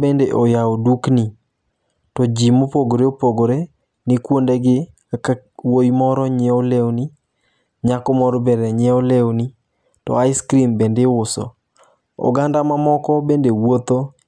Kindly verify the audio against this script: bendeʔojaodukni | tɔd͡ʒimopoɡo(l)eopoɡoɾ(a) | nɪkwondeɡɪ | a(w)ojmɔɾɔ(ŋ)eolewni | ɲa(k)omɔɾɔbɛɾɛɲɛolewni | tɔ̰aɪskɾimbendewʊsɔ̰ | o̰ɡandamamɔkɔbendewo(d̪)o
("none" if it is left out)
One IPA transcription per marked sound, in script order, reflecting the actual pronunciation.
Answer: ɾ, e, w, ɲ, k, t̪

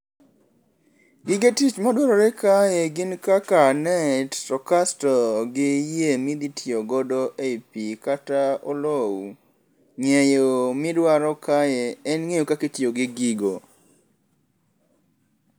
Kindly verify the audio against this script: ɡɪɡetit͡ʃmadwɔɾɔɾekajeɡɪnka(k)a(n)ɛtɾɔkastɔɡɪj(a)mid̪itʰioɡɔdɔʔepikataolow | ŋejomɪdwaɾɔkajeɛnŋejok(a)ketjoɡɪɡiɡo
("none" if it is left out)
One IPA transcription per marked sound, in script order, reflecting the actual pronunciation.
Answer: k, n, e, a

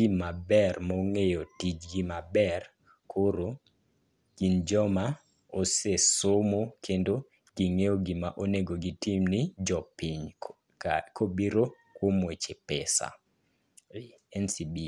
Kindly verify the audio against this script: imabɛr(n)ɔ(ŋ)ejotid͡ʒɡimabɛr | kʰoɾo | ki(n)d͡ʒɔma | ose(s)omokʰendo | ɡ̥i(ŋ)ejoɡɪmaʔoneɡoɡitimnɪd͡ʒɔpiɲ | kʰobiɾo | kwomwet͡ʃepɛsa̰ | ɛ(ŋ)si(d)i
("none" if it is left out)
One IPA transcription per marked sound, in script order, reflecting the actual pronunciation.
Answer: m, ŋ, n, s, ŋ, n, b

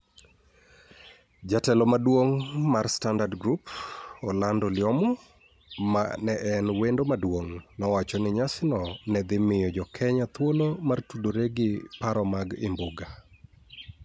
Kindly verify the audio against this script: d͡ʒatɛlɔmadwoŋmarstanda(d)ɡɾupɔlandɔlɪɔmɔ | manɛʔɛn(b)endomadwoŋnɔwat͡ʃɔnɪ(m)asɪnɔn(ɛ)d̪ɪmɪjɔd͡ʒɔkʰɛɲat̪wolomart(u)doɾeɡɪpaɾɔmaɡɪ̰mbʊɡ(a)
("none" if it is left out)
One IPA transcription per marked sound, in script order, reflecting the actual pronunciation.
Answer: d, w, ɲ, ɛ, u, a

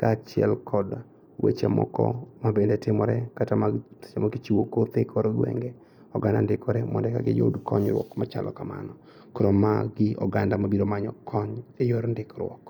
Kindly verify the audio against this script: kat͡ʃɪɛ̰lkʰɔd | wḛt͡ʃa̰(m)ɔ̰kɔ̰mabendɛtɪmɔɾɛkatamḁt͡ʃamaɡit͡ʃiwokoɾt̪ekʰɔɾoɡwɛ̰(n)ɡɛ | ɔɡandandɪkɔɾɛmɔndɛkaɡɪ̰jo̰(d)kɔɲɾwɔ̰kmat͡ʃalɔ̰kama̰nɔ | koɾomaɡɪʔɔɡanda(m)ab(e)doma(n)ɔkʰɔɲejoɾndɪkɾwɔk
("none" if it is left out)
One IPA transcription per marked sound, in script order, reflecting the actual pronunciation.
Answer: m, ŋ, d, m, i, ɲ

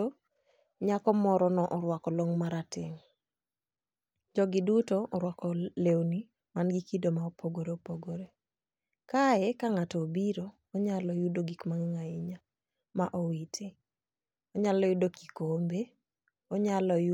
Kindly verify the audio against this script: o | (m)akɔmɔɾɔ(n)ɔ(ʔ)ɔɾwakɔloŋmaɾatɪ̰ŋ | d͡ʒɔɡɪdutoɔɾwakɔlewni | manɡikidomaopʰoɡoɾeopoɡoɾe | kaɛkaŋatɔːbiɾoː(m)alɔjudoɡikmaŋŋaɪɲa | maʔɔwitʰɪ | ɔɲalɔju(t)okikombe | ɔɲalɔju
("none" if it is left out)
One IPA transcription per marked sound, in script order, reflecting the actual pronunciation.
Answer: ɲ, n, ʔ, ɲ, d

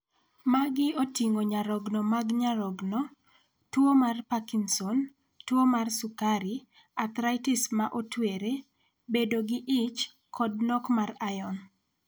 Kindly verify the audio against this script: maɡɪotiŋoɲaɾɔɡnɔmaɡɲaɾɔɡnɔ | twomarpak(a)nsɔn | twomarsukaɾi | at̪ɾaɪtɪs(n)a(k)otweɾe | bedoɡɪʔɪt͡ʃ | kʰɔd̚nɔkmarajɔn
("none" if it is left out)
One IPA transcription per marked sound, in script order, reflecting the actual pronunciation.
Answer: i, m, ʔ

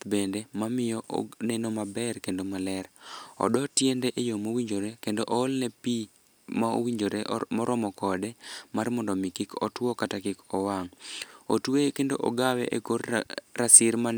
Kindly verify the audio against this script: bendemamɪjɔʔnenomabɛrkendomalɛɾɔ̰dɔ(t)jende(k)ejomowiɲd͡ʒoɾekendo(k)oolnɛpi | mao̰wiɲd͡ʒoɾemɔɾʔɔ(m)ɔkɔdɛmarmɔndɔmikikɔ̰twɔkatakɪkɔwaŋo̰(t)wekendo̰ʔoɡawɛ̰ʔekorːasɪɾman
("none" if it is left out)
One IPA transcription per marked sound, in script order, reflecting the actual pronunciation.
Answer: t, ʔ, ʔ, m, t

